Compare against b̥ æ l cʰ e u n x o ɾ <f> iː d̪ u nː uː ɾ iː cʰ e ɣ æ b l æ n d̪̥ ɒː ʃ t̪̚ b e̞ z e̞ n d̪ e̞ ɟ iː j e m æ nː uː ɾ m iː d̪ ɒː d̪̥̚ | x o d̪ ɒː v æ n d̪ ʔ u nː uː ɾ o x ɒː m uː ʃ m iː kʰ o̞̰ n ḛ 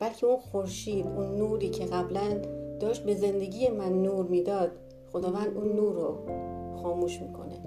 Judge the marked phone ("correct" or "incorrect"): incorrect